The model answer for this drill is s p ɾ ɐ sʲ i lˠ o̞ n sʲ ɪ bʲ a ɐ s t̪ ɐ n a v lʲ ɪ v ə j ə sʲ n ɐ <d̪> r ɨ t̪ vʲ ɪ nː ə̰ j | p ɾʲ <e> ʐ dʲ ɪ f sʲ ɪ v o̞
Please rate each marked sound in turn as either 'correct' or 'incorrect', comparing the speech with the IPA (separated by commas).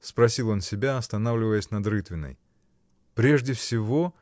correct, correct